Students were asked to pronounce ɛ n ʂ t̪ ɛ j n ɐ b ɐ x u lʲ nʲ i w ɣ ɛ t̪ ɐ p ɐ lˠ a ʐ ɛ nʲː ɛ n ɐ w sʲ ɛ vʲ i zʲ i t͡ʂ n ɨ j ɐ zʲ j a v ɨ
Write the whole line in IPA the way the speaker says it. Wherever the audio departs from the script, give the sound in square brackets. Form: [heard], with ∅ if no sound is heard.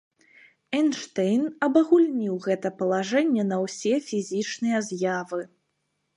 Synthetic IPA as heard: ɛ n ʂ t̪ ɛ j n ɐ b ɐ [ɣ] u lʲ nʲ i w ɣ ɛ t̪ ɐ p ɐ lˠ a ʐ ɛ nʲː ɛ n ɐ w sʲ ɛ [fʲ] i zʲ i t͡ʂ n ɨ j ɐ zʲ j a v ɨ